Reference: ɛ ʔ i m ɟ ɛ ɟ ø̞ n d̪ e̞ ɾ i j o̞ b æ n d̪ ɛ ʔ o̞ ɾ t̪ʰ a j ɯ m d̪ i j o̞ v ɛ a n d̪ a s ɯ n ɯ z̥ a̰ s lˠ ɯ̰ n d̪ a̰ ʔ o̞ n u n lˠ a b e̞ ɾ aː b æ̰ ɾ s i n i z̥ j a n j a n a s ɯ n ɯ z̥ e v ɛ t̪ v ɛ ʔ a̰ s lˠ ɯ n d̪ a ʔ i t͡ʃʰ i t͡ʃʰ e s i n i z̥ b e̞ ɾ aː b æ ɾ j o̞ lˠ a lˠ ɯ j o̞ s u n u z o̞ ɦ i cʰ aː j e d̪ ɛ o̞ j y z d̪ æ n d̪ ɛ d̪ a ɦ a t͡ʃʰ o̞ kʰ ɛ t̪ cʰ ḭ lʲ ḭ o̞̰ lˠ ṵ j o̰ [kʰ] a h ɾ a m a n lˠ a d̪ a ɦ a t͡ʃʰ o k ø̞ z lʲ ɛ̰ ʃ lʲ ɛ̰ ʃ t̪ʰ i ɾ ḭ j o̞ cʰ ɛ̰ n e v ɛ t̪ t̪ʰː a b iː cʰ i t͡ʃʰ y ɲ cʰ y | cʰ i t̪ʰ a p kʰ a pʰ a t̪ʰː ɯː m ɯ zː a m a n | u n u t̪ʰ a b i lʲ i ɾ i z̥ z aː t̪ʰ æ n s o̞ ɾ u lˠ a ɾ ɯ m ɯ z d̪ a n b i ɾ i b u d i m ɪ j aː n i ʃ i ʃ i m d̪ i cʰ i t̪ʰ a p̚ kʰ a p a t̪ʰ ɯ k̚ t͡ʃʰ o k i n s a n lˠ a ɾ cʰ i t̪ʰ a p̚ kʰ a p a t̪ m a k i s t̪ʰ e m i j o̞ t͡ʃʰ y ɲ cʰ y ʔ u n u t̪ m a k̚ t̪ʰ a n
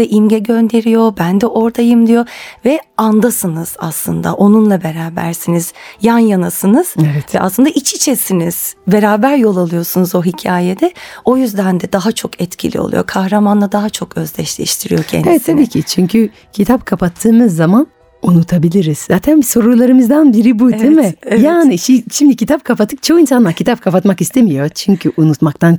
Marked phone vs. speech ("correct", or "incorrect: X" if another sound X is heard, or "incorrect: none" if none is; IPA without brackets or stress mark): correct